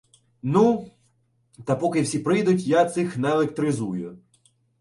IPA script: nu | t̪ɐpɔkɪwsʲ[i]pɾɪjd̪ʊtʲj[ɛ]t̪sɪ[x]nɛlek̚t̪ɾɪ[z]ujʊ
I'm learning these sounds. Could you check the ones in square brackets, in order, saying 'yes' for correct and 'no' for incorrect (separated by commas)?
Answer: yes, no, yes, yes